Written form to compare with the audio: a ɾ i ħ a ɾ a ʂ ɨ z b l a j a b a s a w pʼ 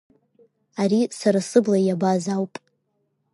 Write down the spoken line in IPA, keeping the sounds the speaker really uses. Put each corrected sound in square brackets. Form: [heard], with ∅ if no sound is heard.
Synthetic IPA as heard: a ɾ i [s] a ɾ a [s] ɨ [∅] b l a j a b a [z] a w pʼ